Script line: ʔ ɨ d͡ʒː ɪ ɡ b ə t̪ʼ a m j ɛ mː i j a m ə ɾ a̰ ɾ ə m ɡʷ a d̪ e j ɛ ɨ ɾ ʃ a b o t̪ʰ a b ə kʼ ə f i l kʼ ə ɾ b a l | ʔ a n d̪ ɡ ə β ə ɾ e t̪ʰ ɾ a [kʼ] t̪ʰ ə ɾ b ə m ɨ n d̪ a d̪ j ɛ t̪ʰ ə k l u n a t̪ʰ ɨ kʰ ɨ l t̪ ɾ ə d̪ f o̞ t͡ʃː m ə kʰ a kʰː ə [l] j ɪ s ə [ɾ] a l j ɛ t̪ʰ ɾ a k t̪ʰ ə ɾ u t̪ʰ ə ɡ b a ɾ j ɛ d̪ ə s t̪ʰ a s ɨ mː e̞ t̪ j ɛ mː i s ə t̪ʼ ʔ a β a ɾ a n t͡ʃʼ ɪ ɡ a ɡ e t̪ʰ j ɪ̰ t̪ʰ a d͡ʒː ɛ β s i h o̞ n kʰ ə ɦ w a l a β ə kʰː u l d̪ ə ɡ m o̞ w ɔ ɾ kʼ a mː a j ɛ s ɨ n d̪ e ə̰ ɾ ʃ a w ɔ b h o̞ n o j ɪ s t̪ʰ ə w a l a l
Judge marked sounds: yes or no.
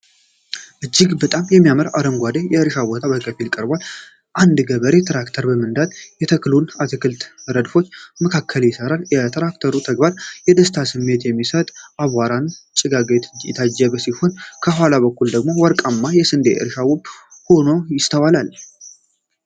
no, yes, yes

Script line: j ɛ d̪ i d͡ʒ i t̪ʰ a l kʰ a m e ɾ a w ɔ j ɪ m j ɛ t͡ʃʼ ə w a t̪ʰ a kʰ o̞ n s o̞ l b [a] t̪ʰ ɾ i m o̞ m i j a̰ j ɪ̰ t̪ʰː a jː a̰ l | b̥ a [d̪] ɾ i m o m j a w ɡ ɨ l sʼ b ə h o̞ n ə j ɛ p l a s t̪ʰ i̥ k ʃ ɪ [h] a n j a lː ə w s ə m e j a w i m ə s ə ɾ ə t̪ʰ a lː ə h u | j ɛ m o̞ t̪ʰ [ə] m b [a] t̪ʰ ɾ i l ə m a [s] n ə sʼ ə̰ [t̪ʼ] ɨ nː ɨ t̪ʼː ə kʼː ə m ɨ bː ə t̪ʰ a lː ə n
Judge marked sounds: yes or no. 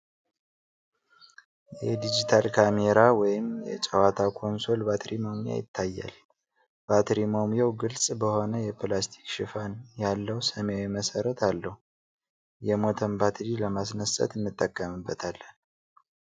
yes, no, no, yes, yes, yes, no

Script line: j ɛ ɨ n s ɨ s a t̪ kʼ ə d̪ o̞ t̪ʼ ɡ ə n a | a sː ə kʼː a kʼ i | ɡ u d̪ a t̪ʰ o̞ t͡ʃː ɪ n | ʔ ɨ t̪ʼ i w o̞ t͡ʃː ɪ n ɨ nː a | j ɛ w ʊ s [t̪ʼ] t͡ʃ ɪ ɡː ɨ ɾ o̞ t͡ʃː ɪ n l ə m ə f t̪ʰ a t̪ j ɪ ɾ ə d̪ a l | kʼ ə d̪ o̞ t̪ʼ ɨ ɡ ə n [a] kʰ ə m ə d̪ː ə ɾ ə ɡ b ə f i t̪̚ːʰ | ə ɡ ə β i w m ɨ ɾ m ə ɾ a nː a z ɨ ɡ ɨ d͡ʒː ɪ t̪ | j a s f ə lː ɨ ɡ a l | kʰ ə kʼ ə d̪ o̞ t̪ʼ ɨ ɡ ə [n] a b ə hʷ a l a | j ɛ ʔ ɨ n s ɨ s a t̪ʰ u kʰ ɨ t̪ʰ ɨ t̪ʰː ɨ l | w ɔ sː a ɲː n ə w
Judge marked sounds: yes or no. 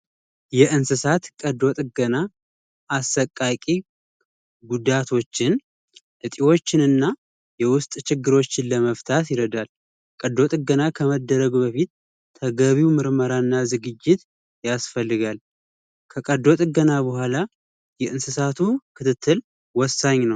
yes, yes, yes

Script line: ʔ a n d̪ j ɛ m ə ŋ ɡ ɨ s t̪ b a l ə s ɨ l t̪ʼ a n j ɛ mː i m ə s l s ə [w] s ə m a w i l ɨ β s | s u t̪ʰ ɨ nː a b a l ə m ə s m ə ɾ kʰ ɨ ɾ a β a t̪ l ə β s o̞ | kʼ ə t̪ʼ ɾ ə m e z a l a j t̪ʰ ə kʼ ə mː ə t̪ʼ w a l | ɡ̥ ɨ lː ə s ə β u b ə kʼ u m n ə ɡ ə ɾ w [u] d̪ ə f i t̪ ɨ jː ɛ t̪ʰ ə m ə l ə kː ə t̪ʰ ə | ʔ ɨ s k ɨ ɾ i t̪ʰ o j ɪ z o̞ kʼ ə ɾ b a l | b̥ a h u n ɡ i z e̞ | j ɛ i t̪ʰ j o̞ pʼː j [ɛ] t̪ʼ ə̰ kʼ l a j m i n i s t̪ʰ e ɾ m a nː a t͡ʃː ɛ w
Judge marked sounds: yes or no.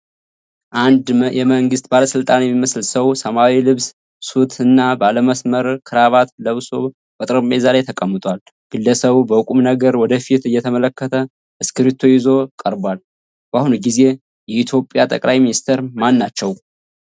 yes, no, no

